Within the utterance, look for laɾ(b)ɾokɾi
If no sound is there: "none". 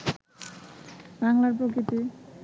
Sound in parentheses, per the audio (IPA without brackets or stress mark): p